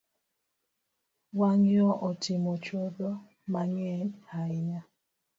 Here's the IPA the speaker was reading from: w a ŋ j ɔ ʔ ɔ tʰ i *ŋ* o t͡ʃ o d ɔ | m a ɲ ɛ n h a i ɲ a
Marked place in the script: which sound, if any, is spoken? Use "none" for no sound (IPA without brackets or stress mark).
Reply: m